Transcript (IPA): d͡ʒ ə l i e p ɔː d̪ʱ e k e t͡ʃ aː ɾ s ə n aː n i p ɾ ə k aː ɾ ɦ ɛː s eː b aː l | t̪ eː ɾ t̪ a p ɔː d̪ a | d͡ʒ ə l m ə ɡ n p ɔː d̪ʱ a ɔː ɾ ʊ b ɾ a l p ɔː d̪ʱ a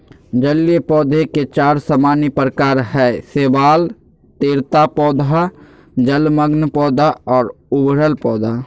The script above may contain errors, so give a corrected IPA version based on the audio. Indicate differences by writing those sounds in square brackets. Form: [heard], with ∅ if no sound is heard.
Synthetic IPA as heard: d͡ʒ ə l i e p ɔː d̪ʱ e k e t͡ʃ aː ɾ s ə [m] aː n i p ɾ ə k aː ɾ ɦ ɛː s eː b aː l | t̪ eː ɾ t̪ a p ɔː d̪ a | d͡ʒ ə l m ə ɡ n p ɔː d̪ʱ a ɔː ɾ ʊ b ɾ [ə] l p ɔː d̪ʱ a